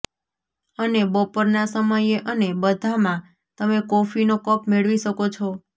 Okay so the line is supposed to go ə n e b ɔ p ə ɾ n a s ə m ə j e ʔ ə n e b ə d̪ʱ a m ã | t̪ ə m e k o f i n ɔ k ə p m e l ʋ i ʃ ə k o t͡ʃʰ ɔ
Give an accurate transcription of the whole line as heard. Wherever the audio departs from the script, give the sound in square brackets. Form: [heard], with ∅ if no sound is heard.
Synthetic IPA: ə n e b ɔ p ə ɾ n a s ə m ə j e ʔ ə n e b ə d̪ʱ a m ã | t̪ ə m e k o f i n [o] k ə p m e [ɭ] ʋ i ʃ ə k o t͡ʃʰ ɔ